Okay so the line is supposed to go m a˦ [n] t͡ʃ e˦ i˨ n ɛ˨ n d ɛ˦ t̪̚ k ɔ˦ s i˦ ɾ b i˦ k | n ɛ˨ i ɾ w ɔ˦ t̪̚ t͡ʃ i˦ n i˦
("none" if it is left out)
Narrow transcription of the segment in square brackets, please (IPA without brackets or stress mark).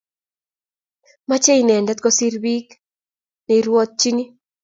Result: none